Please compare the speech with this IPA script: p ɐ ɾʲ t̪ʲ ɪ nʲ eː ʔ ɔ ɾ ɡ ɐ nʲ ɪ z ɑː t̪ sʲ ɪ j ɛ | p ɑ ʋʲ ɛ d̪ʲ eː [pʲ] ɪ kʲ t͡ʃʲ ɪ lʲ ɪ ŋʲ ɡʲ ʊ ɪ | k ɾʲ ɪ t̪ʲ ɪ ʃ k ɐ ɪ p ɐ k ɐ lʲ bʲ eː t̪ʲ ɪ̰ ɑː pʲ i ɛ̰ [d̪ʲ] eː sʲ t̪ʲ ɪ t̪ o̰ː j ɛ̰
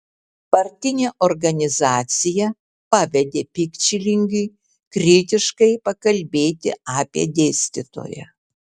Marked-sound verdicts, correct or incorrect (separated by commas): correct, correct